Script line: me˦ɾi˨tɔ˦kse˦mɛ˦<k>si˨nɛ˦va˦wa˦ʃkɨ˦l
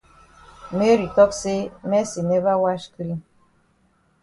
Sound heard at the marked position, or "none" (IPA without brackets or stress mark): none